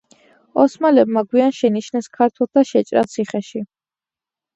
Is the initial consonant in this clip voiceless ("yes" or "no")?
yes